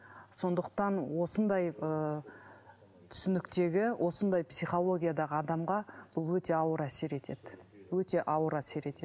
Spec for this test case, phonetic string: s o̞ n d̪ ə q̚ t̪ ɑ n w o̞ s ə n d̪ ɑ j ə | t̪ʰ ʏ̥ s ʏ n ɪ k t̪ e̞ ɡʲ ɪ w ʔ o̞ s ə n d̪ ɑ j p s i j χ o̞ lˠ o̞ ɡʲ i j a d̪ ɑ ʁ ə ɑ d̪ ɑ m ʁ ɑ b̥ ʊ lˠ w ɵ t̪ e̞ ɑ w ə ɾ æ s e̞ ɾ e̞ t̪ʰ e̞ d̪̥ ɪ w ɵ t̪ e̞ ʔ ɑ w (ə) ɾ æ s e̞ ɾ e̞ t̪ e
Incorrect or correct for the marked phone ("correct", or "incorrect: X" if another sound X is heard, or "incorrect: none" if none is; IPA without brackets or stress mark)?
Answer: correct